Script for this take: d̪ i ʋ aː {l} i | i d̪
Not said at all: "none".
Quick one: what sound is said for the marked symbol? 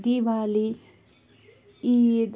l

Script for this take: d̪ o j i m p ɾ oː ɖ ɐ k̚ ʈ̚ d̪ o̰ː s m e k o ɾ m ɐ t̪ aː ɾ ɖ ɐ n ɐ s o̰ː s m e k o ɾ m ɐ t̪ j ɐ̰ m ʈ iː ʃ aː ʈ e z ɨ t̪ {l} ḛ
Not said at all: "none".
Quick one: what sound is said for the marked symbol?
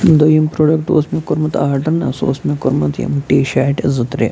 ɾ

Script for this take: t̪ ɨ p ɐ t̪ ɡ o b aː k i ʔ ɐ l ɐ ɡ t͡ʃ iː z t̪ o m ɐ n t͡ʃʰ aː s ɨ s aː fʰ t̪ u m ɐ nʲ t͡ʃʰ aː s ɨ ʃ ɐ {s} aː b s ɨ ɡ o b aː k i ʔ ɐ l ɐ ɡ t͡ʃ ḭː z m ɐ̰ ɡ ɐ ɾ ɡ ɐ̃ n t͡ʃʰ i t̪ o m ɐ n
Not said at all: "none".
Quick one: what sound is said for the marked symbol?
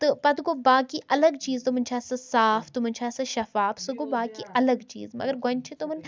f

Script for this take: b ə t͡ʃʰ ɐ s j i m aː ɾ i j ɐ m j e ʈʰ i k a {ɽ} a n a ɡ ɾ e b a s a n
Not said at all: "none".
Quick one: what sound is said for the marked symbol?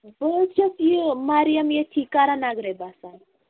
ɾ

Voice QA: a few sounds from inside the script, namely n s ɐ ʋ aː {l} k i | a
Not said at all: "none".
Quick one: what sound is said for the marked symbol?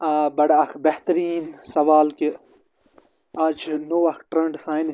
l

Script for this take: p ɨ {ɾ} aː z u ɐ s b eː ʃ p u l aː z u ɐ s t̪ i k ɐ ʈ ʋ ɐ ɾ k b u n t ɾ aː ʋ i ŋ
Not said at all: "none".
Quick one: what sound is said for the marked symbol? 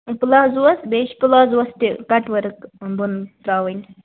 l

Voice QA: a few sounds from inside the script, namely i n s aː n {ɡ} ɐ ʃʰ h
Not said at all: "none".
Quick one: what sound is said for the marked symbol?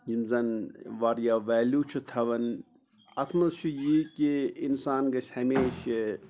ɡ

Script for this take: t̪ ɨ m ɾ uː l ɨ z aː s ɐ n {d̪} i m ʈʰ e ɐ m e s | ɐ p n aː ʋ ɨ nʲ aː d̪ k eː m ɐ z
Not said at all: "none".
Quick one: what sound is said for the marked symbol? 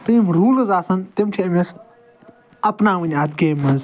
t̪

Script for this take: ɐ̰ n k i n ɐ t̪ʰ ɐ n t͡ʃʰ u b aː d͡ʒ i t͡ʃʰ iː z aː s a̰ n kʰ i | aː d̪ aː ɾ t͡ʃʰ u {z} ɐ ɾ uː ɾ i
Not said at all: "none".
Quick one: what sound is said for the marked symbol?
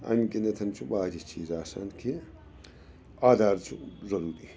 z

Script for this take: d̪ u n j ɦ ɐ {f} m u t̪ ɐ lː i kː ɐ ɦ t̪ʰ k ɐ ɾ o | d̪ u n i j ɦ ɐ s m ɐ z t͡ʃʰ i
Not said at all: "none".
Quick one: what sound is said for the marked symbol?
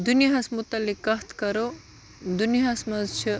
s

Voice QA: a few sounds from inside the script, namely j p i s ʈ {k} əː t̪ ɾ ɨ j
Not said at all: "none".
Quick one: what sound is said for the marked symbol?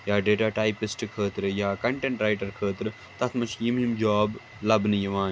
kʰ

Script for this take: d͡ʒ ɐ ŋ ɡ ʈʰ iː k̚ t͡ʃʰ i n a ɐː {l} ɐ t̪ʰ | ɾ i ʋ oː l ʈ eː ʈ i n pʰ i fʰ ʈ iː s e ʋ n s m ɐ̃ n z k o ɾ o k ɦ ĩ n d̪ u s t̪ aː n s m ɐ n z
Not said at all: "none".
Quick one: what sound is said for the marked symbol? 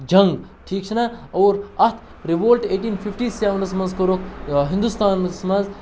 ɾ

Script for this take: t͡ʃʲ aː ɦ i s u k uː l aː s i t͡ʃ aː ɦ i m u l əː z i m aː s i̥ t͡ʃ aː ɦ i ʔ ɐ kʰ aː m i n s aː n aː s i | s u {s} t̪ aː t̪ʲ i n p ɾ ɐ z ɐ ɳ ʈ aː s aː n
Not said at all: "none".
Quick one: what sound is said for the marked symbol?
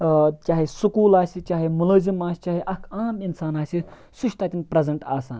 ʃ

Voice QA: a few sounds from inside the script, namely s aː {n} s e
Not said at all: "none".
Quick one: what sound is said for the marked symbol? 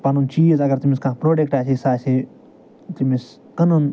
none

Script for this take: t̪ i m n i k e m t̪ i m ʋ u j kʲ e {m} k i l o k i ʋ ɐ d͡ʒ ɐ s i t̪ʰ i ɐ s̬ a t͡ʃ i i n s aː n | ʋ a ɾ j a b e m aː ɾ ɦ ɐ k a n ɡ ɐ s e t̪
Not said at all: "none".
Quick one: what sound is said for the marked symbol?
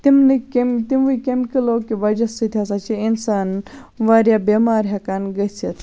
m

